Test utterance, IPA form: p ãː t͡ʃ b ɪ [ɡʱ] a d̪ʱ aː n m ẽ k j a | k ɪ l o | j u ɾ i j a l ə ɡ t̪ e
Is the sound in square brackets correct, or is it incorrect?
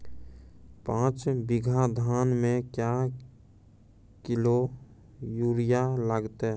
correct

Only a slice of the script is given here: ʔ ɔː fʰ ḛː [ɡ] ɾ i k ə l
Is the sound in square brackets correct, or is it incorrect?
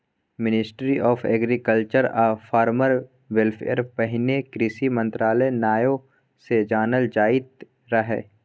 correct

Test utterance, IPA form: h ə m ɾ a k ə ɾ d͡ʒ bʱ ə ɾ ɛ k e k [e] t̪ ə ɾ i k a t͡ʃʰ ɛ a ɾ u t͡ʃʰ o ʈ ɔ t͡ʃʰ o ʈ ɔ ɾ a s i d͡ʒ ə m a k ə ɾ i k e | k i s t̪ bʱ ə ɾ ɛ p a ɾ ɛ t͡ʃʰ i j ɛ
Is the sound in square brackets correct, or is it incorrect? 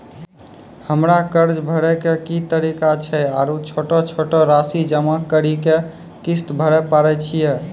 incorrect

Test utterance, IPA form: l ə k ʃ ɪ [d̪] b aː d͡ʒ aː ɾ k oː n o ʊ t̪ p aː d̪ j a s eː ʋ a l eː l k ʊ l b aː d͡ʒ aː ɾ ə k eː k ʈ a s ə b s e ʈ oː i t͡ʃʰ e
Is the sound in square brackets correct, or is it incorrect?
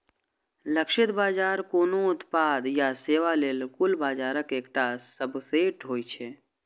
incorrect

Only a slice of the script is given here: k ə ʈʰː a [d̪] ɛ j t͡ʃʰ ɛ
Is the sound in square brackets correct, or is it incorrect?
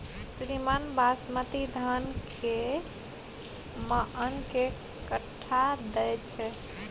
correct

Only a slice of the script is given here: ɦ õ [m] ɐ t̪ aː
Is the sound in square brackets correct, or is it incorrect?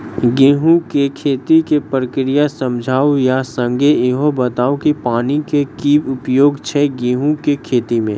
incorrect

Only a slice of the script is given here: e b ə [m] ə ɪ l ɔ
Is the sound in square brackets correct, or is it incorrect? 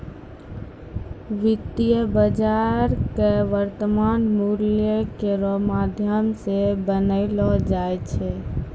incorrect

